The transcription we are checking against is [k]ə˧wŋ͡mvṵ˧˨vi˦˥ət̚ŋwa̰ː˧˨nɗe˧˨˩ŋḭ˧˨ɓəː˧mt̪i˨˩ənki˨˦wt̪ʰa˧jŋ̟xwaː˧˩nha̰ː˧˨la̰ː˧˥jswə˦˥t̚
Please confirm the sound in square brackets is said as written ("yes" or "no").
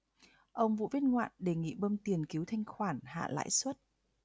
no